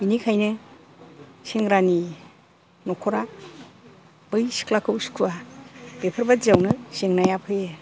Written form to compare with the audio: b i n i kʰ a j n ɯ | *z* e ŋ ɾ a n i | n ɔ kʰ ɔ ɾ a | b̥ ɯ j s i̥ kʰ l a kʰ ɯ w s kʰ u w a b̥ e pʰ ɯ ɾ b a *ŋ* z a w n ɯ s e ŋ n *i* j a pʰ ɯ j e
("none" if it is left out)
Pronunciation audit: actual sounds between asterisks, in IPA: s, none, a

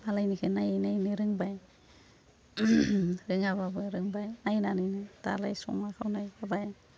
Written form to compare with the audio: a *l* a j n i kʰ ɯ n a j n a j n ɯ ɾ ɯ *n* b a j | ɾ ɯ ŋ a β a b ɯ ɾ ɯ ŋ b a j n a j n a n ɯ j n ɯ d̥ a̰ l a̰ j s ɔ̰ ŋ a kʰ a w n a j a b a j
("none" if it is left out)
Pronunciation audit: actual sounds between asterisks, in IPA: l, ŋ

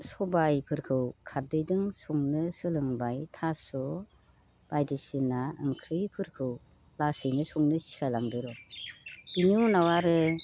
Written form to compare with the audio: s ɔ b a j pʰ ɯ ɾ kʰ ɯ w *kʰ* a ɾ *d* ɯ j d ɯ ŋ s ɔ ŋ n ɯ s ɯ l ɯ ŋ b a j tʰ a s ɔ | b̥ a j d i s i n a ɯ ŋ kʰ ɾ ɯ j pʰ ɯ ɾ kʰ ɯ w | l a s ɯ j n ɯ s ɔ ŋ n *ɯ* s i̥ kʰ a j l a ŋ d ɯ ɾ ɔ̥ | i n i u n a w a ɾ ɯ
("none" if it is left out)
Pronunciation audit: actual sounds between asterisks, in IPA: kʰ, d, ɯ

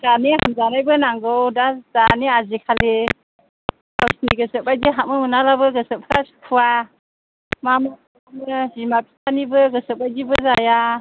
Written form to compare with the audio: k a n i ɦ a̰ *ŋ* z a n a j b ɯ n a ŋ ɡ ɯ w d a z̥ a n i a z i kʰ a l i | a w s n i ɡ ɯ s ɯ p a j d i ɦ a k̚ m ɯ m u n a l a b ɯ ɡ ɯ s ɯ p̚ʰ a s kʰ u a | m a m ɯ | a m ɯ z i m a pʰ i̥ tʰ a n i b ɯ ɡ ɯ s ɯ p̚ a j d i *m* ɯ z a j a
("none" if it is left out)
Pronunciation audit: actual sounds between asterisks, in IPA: m, b

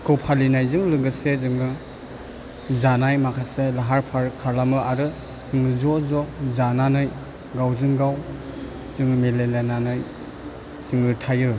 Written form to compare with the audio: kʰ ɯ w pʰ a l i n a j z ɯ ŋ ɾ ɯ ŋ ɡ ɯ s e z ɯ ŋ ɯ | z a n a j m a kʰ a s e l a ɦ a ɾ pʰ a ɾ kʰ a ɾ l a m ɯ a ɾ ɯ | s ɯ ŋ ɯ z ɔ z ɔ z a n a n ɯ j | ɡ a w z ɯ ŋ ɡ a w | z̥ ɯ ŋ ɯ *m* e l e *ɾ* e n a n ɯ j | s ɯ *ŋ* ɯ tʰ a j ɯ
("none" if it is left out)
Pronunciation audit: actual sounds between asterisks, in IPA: m, l, ŋ

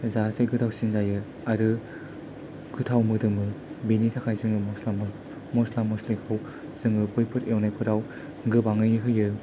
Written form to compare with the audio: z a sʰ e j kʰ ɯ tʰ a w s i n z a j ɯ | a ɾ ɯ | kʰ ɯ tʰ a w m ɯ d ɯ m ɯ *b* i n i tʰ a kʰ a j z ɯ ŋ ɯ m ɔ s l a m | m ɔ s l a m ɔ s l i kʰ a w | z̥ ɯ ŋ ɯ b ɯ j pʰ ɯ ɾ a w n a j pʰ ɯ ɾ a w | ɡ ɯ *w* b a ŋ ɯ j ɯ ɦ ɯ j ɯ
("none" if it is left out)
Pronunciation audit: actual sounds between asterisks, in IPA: b, none

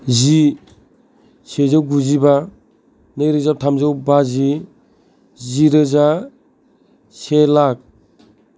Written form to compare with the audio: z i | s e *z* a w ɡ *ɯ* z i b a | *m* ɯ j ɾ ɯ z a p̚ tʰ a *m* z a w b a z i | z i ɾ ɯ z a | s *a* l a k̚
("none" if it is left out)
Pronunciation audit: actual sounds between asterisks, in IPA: z, u, n, m, e

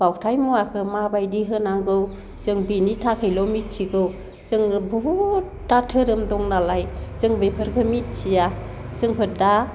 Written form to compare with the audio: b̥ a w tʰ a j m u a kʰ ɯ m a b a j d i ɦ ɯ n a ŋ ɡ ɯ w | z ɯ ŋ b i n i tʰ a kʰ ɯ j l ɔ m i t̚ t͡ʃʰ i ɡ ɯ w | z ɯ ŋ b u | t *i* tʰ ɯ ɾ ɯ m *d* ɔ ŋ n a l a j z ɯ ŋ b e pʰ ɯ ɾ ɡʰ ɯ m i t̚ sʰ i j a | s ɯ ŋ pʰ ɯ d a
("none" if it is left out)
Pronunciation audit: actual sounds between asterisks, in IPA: a, d

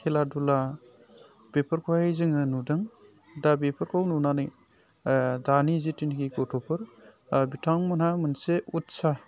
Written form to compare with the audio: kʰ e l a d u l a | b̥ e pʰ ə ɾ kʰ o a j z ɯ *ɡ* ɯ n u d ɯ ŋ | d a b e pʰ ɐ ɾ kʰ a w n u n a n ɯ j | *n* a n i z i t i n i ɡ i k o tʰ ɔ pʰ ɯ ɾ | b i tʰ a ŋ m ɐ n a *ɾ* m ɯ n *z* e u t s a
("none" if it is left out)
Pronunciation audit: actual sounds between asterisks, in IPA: ŋ, d, none, s

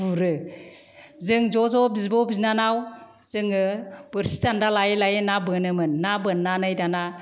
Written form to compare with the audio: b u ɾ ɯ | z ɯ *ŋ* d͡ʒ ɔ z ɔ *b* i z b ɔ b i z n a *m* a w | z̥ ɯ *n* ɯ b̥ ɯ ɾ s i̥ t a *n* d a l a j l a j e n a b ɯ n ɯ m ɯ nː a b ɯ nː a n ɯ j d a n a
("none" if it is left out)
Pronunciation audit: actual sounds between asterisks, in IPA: ŋ, b, n, ŋ, n

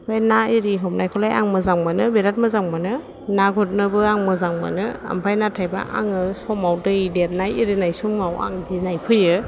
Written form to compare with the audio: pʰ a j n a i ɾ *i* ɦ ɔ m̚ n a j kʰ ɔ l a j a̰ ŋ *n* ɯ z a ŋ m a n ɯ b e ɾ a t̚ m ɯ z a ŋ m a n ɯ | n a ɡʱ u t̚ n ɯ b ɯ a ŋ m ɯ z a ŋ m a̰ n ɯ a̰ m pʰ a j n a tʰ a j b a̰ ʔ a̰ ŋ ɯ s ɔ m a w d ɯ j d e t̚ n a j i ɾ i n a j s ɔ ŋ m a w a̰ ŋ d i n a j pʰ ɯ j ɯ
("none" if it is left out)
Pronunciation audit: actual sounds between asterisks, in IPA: i, m

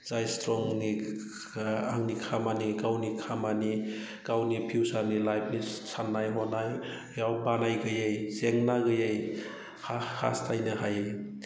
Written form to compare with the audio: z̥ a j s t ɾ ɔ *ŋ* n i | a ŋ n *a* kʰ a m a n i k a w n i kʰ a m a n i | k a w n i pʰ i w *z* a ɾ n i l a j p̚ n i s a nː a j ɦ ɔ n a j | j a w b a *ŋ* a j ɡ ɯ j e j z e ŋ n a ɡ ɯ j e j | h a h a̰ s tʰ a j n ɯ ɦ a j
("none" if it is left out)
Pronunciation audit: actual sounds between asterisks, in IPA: ŋ, i, s, n

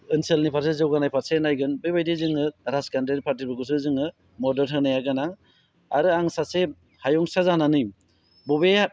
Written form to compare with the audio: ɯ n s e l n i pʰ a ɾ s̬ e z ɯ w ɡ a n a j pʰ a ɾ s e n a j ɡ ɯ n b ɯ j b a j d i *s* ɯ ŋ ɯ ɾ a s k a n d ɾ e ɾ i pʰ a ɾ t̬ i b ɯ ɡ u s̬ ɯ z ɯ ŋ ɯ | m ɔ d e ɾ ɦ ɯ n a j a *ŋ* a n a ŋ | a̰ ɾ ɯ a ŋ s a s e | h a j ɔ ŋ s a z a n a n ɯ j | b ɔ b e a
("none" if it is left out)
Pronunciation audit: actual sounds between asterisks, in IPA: z, ɡ

